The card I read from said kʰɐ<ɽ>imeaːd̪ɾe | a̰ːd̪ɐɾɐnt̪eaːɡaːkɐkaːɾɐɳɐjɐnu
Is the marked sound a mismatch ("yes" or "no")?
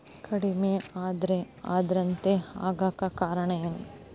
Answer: no